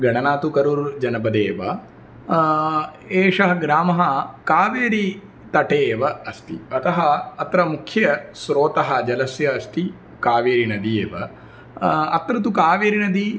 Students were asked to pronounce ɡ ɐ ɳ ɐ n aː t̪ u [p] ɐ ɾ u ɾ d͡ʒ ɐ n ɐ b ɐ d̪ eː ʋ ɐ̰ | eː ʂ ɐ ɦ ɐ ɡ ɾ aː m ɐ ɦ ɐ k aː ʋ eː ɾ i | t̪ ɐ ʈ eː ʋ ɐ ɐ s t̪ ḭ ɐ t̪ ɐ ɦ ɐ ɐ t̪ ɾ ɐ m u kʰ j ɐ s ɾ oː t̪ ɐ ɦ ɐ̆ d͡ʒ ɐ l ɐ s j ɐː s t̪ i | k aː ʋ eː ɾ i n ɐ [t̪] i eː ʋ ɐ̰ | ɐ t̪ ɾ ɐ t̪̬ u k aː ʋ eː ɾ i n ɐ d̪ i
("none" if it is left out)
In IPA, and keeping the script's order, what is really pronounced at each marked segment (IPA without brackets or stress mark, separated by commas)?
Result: k, d̪